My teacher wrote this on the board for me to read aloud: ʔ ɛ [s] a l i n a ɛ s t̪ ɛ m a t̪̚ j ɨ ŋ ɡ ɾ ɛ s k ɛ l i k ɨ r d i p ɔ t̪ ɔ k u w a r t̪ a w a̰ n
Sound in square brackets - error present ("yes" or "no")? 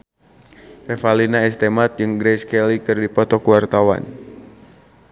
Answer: yes